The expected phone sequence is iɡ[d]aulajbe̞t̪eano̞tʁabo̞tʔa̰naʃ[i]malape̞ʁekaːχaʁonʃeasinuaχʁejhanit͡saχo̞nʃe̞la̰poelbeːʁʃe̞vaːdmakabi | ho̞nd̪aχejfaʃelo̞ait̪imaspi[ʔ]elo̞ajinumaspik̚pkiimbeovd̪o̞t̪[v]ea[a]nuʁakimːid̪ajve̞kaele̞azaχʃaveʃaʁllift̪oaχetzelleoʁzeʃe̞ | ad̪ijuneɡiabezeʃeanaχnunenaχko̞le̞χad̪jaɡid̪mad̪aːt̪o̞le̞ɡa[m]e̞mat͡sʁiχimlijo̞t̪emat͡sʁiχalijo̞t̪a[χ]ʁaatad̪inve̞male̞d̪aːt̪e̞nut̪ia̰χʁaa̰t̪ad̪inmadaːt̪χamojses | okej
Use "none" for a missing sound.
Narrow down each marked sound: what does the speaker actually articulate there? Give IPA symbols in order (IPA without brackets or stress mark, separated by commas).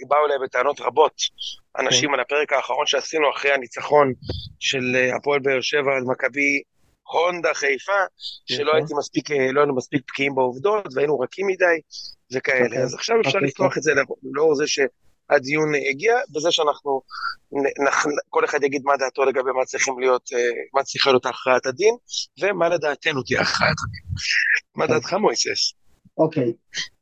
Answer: b, i, k, v, i, b, χ